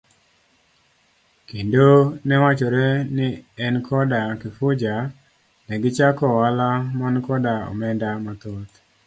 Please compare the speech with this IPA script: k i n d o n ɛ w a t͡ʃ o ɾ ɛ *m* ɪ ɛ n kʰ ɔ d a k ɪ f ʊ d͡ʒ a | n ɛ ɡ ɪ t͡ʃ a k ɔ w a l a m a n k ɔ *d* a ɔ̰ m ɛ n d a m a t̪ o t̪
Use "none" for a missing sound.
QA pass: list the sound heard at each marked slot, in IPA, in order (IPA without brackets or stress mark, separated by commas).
n, d